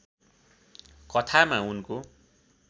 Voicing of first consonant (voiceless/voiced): voiceless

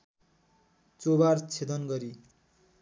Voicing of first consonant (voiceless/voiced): voiceless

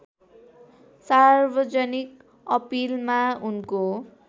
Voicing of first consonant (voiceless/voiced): voiceless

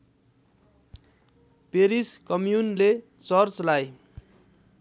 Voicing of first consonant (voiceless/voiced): voiceless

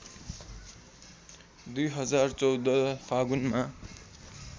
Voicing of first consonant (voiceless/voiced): voiced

